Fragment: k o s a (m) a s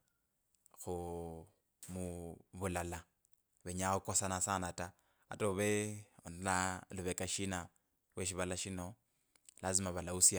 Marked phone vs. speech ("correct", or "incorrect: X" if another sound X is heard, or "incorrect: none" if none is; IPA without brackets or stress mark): incorrect: n